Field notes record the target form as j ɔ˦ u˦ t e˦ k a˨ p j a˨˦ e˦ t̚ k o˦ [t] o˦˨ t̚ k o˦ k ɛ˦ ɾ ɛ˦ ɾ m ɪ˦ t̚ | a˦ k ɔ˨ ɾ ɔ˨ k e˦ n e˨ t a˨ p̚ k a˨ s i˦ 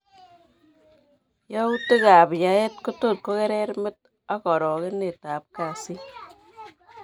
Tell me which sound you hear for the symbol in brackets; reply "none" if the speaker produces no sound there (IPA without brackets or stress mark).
t